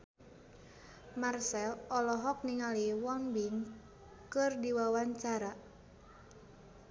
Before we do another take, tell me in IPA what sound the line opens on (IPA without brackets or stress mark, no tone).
m